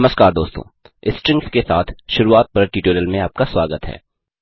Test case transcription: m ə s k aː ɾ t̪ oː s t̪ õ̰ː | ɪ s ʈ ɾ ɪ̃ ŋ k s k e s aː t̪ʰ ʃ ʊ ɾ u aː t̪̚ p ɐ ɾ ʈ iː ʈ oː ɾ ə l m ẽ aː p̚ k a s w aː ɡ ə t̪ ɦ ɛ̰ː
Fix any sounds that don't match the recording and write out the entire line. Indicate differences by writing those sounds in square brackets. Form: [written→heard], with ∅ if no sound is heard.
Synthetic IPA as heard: m ə s k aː ɾ [t̪→d̪] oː s t̪ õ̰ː | ɪ s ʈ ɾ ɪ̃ ŋ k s k e s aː t̪ʰ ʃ ʊ ɾ u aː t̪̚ p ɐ ɾ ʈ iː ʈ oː ɾ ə l m ẽ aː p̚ k a s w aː ɡ ə t̪ ɦ ɛ̰ː

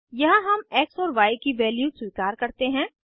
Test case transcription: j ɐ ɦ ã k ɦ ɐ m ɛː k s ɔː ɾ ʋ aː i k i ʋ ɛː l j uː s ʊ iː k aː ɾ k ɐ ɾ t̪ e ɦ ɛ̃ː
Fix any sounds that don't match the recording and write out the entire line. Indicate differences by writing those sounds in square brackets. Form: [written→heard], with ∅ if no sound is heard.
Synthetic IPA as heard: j ɐ ɦ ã [k→∅] ɦ ɐ m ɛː k s ɔː ɾ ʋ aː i k i ʋ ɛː l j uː s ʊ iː k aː ɾ k ɐ ɾ t̪ e ɦ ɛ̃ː

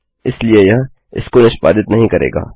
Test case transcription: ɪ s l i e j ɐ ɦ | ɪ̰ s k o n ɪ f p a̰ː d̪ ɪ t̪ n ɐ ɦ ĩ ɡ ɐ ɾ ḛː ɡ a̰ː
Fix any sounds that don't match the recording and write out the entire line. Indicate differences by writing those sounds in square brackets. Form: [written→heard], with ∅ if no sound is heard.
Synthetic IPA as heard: ɪ s l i e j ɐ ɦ | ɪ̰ s k o n ɪ [f→ʃ] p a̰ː d̪ ɪ t̪ n ɐ ɦ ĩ [ɡ→k] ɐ ɾ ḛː ɡ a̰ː

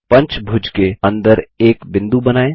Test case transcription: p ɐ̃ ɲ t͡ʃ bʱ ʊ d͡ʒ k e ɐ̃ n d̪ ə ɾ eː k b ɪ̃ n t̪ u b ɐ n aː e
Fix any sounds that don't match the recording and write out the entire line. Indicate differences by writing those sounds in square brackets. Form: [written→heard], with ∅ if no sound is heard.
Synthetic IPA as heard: p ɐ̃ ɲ t͡ʃ bʱ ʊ d͡ʒ k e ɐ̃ n d̪ ə ɾ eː k b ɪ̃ n [t̪→d̪] u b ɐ n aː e

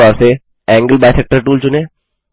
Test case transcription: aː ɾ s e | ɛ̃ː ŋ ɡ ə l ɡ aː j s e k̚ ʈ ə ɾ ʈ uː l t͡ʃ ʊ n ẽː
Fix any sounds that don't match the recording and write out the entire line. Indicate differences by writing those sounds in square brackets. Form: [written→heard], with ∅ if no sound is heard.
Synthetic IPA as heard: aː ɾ s e | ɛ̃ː ŋ ɡ ə l [ɡ→b] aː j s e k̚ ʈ ə ɾ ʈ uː l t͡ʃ ʊ n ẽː

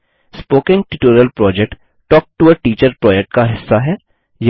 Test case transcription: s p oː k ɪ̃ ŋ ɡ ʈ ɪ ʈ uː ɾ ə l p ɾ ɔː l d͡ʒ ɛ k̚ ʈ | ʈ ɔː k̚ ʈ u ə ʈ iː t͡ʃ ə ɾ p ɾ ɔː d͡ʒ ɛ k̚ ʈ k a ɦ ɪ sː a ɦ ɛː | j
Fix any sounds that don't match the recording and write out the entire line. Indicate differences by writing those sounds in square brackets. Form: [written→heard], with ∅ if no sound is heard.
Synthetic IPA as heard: s p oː k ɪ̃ ŋ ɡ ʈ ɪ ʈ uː ɾ ə l p ɾ ɔː [l→∅] d͡ʒ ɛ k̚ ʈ | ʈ ɔː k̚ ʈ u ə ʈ iː t͡ʃ ə ɾ p ɾ ɔː d͡ʒ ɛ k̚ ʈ k a ɦ ɪ sː a ɦ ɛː | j

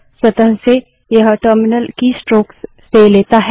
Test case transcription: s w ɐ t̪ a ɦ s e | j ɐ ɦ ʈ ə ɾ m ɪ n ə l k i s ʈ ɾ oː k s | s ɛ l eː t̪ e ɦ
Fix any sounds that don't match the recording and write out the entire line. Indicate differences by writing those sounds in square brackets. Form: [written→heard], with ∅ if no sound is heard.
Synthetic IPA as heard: s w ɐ t̪ [a→ə] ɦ s e | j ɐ ɦ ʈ ə ɾ m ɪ n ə l k i s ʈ ɾ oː k s | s [ɛ→e] l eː t̪ [e→a] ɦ

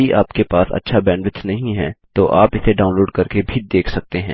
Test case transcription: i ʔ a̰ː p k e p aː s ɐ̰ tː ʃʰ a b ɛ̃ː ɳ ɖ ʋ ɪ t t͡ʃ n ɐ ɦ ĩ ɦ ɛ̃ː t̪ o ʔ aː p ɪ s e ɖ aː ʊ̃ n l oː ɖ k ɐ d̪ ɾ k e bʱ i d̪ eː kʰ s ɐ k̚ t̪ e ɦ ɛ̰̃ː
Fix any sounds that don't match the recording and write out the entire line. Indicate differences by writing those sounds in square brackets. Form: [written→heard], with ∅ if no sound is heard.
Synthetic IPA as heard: i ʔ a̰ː p k e p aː s ɐ̰ tː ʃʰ a b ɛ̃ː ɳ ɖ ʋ ɪ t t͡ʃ n ɐ ɦ ĩ ɦ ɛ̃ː t̪ o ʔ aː p ɪ s e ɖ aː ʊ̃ n l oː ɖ k ɐ [d̪→∅] ɾ k e bʱ i d̪ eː kʰ s ɐ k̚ t̪ e ɦ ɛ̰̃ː

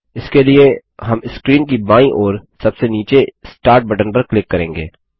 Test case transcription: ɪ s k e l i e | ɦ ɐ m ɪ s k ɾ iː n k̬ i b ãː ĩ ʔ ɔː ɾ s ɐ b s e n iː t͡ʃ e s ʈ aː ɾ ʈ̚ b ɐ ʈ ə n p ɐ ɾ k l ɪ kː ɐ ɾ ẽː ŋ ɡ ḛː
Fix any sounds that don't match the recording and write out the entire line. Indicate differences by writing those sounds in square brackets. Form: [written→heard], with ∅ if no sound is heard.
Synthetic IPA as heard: ɪ s k e l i e | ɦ ɐ m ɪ s k ɾ iː n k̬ i b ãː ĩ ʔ ɔː ɾ s ɐ b s e n iː t͡ʃ e s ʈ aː ɾ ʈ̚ b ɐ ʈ ə n p ɐ ɾ k l ɪ kː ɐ ɾ ẽː ŋ ɡ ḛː

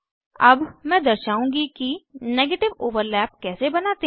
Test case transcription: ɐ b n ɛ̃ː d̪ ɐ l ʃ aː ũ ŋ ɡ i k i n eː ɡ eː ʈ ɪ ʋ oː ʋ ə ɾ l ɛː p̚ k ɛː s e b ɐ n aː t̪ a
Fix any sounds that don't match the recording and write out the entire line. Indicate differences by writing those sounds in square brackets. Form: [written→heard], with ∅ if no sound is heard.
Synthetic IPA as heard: ɐ b [n→m] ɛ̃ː d̪ ɐ [l→ɾ] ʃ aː ũ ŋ ɡ i k i n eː ɡ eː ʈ ɪ ʋ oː ʋ ə ɾ l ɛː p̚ k ɛː s e b ɐ n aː t̪ [a→e]

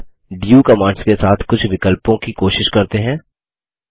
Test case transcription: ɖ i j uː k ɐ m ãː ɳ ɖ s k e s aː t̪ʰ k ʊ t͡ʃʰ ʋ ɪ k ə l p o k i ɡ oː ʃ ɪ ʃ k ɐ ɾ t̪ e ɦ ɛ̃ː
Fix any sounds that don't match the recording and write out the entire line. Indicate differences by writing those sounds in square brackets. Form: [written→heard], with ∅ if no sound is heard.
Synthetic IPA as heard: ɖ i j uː k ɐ m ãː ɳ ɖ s k e s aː t̪ʰ k ʊ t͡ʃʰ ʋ ɪ k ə l p [o→õ] k i [ɡ→k] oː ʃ ɪ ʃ k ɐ ɾ t̪ e ɦ ɛ̃ː

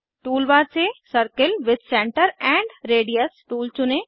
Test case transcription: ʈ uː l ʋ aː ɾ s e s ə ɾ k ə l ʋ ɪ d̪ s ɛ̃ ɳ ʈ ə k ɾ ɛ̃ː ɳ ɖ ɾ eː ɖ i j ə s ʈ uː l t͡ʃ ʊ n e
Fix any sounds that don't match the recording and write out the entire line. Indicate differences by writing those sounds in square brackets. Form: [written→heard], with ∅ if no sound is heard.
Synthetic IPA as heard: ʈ uː l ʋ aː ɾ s e s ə ɾ k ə l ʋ ɪ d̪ s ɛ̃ ɳ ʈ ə [k→∅] ɾ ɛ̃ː ɳ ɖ ɾ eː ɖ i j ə s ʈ uː l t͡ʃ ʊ n e

